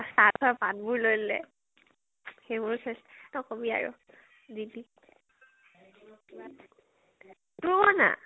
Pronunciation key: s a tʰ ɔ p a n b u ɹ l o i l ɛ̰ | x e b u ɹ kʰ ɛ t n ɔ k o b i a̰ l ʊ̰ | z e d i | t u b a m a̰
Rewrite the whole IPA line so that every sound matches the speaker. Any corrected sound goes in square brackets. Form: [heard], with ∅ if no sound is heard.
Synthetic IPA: s a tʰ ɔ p a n b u ɹ l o [j] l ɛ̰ | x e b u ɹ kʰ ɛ [s] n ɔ k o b i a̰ [ɹ] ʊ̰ | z [i] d i | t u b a [n] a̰